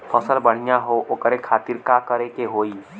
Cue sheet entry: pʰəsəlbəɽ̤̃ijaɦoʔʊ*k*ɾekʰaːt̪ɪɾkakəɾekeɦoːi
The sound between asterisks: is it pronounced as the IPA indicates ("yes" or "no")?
yes